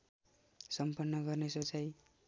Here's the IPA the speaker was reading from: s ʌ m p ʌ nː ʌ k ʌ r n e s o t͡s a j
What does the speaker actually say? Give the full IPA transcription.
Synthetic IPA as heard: s ʌ m p ʌ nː ʌ ɡ ʌ r n e s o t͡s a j